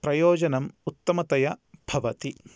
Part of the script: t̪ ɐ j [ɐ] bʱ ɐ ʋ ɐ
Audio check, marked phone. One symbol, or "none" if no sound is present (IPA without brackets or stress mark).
ɐ